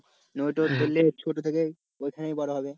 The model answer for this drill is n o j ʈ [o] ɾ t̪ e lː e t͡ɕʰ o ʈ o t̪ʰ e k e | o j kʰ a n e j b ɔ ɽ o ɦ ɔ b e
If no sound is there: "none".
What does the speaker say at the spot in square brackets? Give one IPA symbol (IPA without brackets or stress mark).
o